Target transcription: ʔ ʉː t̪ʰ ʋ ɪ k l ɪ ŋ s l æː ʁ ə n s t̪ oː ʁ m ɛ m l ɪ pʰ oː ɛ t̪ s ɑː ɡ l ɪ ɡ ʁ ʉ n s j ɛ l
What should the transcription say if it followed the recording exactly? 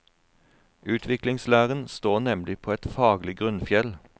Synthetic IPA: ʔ ʉː t̪ʰ ʋ ɪ k l ɪ ŋ s l æː ʁ ə n s t̪ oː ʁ n ɛ m l ɪ pʰ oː ɛ t̪ f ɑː ɡ l ɪ ɡ ʁ ʉ n f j ɛ l